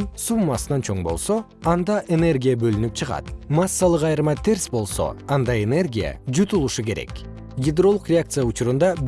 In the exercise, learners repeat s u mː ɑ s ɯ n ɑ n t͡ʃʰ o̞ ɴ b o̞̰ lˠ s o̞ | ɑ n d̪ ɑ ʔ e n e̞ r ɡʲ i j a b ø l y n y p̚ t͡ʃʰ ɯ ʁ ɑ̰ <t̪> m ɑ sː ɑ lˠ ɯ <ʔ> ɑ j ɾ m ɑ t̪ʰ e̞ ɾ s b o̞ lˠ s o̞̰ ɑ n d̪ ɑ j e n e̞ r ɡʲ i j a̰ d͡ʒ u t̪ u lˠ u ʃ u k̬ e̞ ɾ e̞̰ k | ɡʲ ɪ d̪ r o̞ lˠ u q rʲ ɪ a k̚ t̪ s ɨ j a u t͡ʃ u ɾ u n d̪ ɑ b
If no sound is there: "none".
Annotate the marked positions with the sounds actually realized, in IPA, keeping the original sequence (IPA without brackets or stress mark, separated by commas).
t̪, q